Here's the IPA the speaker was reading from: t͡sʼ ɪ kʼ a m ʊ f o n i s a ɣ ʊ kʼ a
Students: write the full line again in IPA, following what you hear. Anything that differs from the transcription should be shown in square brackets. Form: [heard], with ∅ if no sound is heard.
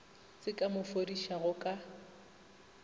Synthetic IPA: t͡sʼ ɪ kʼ a m ʊ f o [d] i [ʃ] a ɣ ʊ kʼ a